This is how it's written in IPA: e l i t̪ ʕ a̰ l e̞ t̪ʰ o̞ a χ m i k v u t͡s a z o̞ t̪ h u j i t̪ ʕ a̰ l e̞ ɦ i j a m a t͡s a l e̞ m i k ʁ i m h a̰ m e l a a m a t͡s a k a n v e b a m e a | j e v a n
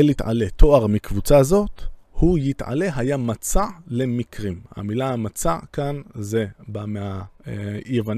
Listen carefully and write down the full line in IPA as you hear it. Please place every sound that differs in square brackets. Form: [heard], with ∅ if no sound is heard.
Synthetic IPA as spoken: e l i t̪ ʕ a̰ l e̞ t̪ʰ o̞ a [ʁ] m i k v u t͡s a z o̞ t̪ h u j i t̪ ʕ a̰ l e̞ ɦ [a] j a m a t͡s a l e̞ m i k ʁ i m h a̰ m [i] l a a m a t͡s a k a n [z] e b a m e a | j e v a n